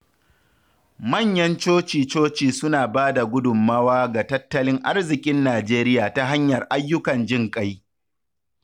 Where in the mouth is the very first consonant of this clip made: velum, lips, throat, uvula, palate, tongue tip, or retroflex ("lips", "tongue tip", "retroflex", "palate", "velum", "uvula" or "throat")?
lips